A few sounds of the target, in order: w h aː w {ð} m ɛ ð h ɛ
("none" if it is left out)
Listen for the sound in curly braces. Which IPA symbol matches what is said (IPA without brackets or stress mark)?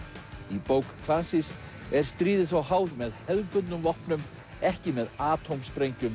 ð